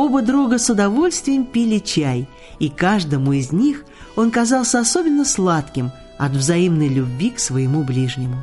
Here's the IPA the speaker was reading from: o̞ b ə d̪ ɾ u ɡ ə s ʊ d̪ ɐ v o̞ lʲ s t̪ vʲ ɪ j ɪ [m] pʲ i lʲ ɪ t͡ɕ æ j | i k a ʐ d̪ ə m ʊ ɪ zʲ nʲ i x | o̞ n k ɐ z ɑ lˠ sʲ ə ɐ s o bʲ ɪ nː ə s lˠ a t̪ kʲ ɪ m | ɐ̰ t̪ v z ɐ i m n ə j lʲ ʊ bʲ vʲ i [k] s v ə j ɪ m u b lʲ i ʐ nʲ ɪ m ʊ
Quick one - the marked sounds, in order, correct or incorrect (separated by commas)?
correct, correct